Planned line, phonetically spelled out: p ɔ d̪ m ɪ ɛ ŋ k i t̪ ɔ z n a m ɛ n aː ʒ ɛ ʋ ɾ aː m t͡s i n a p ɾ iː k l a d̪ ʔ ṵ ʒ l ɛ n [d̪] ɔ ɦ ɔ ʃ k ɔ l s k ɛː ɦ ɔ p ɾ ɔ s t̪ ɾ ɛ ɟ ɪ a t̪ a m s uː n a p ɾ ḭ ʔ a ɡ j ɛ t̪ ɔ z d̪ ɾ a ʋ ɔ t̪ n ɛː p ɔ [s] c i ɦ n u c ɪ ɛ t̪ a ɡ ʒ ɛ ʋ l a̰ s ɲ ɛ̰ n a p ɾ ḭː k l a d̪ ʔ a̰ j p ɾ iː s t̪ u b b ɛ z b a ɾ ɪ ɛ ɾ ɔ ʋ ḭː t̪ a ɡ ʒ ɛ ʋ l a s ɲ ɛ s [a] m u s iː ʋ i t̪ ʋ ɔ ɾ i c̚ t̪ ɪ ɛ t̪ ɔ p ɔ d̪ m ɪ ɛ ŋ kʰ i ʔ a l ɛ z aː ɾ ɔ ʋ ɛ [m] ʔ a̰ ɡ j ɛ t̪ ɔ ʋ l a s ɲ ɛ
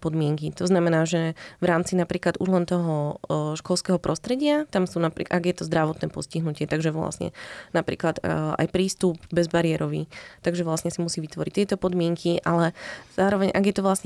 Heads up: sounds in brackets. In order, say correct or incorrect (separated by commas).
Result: incorrect, correct, incorrect, incorrect